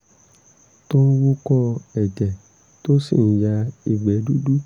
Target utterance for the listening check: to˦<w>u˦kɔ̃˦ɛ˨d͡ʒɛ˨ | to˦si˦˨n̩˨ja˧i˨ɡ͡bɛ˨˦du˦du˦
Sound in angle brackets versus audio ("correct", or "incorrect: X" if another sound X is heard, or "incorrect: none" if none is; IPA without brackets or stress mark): correct